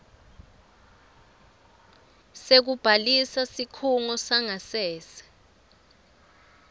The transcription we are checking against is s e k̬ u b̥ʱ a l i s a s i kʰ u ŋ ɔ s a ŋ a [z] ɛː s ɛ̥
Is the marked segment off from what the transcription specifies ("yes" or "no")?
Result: yes